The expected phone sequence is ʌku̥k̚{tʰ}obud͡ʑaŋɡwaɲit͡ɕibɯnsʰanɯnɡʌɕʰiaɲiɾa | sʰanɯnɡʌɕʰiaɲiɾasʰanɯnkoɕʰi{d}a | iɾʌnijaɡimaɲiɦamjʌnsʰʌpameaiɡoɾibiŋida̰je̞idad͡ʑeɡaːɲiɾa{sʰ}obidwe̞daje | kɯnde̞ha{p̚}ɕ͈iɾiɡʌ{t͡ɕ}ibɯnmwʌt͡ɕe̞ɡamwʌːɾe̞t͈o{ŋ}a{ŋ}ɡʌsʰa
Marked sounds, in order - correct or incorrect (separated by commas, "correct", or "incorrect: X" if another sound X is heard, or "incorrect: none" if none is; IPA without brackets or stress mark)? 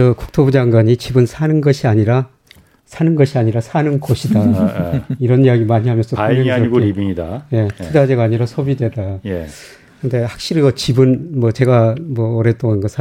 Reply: correct, correct, correct, incorrect: k̚, correct, correct, incorrect: n